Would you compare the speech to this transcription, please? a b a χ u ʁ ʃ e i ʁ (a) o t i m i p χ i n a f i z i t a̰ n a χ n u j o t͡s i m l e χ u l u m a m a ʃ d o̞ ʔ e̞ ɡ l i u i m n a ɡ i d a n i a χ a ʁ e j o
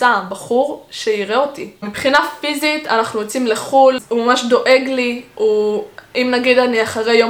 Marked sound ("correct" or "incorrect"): incorrect